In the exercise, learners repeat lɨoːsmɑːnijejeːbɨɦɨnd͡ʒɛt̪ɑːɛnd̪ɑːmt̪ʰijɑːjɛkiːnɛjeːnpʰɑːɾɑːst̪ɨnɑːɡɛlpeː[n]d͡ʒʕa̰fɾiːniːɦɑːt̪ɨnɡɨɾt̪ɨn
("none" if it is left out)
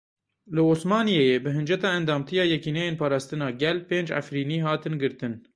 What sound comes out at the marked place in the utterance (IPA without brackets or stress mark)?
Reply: n